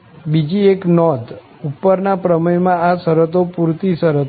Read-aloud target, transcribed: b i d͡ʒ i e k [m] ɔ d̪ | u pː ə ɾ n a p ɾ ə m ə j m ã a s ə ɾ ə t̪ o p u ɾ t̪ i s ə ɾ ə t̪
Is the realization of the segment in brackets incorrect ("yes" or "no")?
yes